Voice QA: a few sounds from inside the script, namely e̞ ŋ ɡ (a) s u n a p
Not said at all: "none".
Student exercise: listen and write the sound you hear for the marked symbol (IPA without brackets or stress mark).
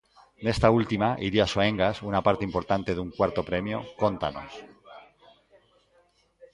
a